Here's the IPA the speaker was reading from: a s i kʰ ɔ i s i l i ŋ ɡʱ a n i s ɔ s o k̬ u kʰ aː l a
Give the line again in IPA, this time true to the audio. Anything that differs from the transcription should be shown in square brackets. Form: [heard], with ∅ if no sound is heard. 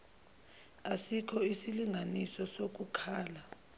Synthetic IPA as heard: a s i kʰ ɔ i s i l i ŋ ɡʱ a n i s ɔ s o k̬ u kʰ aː l a